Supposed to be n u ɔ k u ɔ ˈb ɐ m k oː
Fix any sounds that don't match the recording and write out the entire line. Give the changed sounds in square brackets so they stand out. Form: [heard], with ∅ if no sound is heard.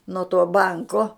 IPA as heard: n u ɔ [t] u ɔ ˈb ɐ [ŋ] k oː